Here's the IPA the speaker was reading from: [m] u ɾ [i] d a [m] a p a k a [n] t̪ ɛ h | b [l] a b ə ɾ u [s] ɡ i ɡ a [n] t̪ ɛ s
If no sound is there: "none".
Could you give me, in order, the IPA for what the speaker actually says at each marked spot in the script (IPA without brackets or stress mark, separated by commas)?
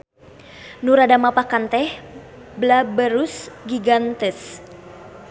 n, a, m, n, l, s, n